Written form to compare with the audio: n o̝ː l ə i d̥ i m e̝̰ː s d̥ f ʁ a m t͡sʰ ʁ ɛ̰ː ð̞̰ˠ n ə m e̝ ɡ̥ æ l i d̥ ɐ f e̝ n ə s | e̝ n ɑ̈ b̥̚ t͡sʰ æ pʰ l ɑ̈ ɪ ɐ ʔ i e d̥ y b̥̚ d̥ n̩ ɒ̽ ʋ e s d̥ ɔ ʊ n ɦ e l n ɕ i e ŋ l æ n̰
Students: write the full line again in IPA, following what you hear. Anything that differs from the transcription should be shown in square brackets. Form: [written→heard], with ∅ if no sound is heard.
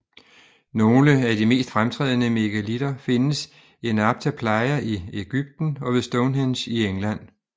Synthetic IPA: n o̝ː l ə [i→æ] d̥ i m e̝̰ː s d̥ f ʁ a m t͡sʰ ʁ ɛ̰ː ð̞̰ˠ n ə m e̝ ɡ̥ æ l i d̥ ɐ f e̝ n ə s | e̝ n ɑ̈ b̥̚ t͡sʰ æ pʰ l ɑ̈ ɪ ɐ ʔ i e [d̥→ɡ̥] y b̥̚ d̥ n̩ ɒ̽ ʋ e s d̥ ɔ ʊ n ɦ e [l→∅] n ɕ i e ŋ l æ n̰

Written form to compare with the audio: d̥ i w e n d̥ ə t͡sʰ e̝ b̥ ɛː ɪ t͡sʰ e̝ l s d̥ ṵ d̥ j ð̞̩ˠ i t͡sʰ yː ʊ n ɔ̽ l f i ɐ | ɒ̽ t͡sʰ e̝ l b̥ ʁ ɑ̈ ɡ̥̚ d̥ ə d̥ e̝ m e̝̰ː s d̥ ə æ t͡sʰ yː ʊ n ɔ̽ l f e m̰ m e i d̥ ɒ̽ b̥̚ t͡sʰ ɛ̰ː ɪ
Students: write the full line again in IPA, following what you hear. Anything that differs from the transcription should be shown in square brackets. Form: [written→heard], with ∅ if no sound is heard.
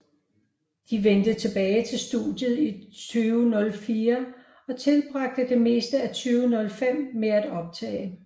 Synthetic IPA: d̥ i [w→ʋ] e n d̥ ə t͡sʰ e̝ b̥ ɛː ɪ t͡sʰ e̝ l s d̥ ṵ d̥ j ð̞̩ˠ i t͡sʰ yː ʊ n ɔ̽ l f [i→iː] ɐ | ɒ̽ t͡sʰ e̝ l b̥ ʁ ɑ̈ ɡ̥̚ d̥ ə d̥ e̝ m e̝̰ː s d̥ ə æ t͡sʰ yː ʊ n ɔ̽ l f e m̰ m e [i→æ] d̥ ɒ̽ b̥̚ t͡sʰ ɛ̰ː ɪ

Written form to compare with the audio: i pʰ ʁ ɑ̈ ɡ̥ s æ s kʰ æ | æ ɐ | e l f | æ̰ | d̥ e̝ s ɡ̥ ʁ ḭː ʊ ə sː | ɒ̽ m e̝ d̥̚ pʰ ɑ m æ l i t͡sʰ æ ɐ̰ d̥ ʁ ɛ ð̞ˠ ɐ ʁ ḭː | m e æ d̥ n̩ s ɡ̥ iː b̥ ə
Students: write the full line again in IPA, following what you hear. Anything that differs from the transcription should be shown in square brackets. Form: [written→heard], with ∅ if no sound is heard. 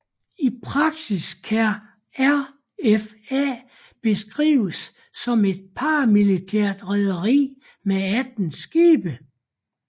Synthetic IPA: i pʰ ʁ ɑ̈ ɡ̥ s [æ→i] s kʰ æ | æ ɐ | e [l→∅] f | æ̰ | [d̥→b̥] e̝ s ɡ̥ ʁ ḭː ʊ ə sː | ɒ̽ m e̝ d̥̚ pʰ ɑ m [æ→i] l i t͡sʰ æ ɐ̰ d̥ ʁ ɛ ð̞ˠ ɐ ʁ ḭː | m e æ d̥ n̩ s ɡ̥ iː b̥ ə

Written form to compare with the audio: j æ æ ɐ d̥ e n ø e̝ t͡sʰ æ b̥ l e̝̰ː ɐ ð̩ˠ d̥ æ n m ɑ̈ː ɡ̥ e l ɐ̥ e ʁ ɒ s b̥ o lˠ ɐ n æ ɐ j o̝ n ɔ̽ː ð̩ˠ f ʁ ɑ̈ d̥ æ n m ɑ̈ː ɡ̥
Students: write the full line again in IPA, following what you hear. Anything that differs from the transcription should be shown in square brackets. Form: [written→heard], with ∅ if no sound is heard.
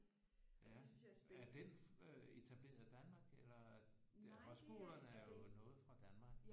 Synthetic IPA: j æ æ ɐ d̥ e n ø e̝ t͡sʰ æ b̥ l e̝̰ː ɐ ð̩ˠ d̥ æ n m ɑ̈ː ɡ̥ e l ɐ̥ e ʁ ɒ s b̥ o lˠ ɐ n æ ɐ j o̝ n ɔ̽ː ð̩ˠ f ʁ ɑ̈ d̥ æ n m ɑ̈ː ɡ̥

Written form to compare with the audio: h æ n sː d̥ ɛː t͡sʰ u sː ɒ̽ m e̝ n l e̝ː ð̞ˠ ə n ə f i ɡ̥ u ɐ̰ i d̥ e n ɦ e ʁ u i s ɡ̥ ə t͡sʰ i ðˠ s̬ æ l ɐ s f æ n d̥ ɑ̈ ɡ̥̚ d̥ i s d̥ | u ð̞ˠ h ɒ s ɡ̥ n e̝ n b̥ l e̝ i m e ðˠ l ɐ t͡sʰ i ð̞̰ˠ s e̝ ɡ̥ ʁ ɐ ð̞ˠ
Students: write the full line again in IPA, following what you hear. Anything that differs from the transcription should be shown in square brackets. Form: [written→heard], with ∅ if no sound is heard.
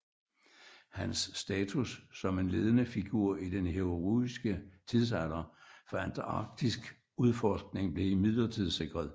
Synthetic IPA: h æ n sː d̥ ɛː t͡sʰ u sː ɒ̽ m e̝ n l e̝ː ð̞ˠ ə n ə f i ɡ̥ u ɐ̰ i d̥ e n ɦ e ʁ u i s ɡ̥ ə t͡sʰ i ðˠ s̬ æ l ɐ [s→∅] f æ n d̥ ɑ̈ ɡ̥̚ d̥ i s [d̥→ɡ̥] | u ð̞ˠ [h→f] ɒ s ɡ̥ n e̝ [n→ŋ] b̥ l e̝ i m [e→i] ðˠ l ɐ t͡sʰ i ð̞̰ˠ s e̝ ɡ̥ ʁ ɐ ð̞ˠ

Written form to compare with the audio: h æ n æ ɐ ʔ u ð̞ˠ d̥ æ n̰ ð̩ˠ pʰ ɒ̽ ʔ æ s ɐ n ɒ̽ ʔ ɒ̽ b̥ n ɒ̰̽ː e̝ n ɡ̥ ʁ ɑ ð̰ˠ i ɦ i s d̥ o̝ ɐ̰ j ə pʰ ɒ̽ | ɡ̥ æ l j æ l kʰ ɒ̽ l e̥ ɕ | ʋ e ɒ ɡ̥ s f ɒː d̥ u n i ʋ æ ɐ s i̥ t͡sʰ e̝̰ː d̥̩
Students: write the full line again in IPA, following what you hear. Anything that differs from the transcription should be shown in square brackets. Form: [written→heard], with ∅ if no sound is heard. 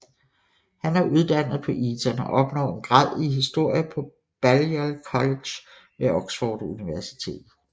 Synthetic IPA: h æ n æ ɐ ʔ u ð̞ˠ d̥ æ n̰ ð̩ˠ pʰ ɒ̽ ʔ [æ→i] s ɐ n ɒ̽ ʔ ɒ̽ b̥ n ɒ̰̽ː e̝ n ɡ̥ ʁ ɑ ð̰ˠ i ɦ i s d̥ o̝ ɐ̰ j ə pʰ ɒ̽ | [ɡ̥→b̥] æ l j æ l kʰ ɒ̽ l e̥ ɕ | ʋ e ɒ ɡ̥ s f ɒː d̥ u n i ʋ æ ɐ s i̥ t͡sʰ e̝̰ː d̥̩

